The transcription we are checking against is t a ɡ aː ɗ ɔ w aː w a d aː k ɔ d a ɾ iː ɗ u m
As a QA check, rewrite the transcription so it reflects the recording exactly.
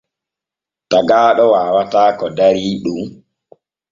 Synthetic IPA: t a ɡ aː ɗ ɔ w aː w a t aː k ɔ d a ɾ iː ɗ u m